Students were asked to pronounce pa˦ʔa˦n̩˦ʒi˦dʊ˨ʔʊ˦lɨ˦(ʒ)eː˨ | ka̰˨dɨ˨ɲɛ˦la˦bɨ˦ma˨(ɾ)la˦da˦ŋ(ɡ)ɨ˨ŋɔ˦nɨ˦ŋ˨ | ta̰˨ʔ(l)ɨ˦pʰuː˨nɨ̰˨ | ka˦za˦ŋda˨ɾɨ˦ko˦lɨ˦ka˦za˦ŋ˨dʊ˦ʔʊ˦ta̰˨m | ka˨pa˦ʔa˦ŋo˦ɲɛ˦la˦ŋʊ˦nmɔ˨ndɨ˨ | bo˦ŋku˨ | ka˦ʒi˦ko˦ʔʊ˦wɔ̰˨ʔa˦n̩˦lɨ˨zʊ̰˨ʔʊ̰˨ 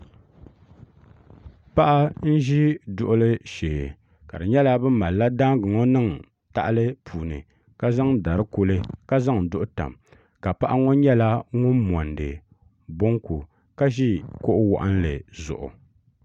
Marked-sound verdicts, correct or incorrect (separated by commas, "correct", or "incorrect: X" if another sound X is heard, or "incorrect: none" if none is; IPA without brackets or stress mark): incorrect: ʃ, incorrect: l, correct, correct